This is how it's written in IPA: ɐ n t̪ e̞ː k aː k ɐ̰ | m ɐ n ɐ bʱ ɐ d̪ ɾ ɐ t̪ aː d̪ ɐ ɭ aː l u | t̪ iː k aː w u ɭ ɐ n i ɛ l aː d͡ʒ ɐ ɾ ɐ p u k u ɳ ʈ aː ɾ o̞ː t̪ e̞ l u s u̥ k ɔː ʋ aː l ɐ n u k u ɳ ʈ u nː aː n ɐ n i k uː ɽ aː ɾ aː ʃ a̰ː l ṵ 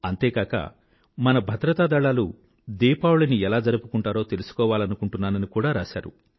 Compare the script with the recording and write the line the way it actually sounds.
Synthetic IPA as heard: ɐ n t̪ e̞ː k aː k ɐ̰ | m ɐ n ɐ bʱ ɐ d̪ ɾ ɐ t̪ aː d̪ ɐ ɭ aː l u | d̪ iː p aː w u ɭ ɐ n i ɛ l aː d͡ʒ ɐ ɾ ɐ p u k u ɳ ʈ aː ɾ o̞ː t̪ e̞ l u s u̥ k ɔː ʋ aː l ɐ n u k u ɳ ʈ u nː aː n ɐ n i k uː ɽ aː ɾ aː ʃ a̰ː ɾ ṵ